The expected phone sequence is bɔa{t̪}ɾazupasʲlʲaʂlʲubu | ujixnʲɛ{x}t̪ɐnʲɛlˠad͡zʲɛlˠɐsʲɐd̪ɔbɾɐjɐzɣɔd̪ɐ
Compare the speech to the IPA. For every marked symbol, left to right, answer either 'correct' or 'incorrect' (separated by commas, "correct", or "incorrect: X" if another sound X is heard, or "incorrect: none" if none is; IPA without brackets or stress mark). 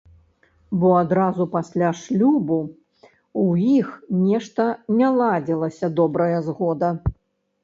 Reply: incorrect: d̪, incorrect: ʂ